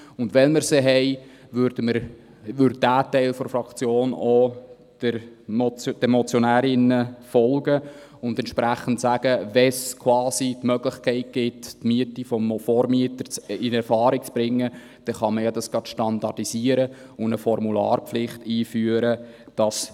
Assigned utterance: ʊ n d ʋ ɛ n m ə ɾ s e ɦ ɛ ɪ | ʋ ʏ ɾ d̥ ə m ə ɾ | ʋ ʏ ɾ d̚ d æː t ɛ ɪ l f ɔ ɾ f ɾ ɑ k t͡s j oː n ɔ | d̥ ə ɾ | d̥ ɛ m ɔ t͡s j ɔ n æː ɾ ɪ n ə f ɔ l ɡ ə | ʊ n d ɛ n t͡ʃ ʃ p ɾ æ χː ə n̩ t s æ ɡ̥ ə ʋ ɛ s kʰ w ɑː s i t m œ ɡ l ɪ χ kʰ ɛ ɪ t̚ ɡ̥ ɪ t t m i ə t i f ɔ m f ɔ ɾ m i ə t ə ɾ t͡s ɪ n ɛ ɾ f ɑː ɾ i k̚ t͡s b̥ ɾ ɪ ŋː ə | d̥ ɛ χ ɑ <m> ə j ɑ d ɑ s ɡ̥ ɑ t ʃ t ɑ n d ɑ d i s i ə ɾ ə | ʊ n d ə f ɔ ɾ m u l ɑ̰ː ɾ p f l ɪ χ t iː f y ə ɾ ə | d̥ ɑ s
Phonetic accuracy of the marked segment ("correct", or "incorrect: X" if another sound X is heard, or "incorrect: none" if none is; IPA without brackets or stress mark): correct